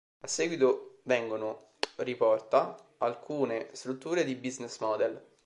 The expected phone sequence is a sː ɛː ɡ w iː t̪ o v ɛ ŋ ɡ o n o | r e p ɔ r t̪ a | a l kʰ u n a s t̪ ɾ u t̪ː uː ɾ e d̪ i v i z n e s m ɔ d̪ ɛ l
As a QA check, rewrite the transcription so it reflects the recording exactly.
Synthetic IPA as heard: a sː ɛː ɡ w i t̪ o v ɛ ŋ ɡ o n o | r i p ɔ r t̪ a | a l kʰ uː n e s t̪ ɾ u t̪ː uː ɾ e d̪ i b i z n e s m ɔ d̪ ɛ l